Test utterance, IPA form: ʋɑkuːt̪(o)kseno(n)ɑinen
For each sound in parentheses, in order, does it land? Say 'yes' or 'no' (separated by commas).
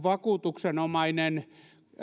no, no